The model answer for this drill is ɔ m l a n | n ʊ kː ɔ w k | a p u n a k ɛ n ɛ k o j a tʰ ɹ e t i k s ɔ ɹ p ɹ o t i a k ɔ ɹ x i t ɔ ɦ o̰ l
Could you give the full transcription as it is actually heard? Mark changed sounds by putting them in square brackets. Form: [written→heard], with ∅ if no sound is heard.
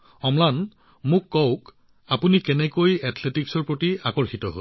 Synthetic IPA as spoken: ɔ m l a n | [n→m] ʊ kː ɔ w k | a p u n [a→i] k ɛ n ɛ k o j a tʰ [ɹ→l] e t i k s ɔ ɹ p ɹ o t i a k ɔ ɹ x i t ɔ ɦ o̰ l